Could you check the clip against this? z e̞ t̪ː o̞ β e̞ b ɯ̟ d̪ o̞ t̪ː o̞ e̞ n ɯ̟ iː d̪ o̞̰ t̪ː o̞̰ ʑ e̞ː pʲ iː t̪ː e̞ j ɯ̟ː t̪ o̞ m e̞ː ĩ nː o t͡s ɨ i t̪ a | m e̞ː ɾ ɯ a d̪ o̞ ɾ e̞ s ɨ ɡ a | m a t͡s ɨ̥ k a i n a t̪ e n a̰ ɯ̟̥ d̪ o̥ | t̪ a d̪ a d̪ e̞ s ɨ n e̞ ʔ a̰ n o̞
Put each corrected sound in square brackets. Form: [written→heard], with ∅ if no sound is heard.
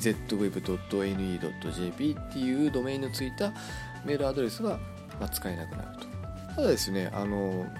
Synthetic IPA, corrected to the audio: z e̞ t̪ː o̞ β e̞ b ɯ̟ d̪ o̞ t̪ː o̞ e̞ n ɯ̟ iː d̪ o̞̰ t̪ː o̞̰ ʑ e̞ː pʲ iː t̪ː e̞ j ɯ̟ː [t̪→d̪] o̞ m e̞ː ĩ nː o t͡s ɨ i t̪ a | m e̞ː ɾ ɯ a d̪ o̞ ɾ e̞ s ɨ ɡ a | m a t͡s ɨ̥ k a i n a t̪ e n a̰ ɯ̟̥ [d̪→t̪] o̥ | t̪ a d̪ a d̪ e̞ s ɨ n e̞ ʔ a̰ n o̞